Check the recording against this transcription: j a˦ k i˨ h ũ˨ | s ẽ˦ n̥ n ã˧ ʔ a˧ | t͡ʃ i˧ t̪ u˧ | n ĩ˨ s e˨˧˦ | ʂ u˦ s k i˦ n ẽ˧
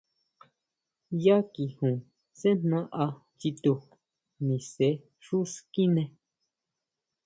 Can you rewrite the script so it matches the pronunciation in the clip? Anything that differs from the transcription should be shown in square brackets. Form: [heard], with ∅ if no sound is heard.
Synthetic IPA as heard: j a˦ k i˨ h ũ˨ | s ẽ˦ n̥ n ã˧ ʔ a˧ | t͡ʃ i˧ t̪ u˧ | n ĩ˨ s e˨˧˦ | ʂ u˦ s k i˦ n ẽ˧